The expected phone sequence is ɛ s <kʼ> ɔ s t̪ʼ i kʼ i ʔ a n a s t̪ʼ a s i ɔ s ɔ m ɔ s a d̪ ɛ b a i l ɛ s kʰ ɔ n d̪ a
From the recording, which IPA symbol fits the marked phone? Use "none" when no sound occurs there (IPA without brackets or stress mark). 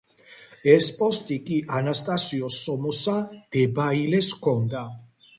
pʼ